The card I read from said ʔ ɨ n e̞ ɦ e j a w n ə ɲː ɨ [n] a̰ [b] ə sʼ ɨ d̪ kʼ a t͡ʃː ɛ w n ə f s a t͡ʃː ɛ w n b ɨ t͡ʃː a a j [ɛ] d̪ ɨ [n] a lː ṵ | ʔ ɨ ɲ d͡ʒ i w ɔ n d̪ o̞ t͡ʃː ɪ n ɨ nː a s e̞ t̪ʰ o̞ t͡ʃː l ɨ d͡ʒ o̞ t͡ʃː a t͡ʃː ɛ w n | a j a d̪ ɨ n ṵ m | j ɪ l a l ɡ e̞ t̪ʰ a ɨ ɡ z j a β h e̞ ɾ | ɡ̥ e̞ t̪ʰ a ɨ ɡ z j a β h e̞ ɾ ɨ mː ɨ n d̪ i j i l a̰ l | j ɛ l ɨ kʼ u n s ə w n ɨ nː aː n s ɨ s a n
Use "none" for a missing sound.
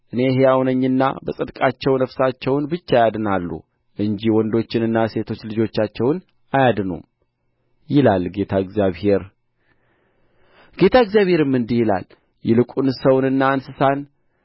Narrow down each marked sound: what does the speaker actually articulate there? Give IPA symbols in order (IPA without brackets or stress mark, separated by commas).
nː, b, a, n